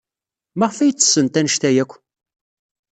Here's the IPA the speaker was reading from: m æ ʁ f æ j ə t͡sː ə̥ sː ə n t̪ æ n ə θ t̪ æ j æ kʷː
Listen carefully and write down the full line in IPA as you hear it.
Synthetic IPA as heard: m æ ʁ f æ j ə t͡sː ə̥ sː ə n t̪ æ n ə ʃ t̪ æ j æ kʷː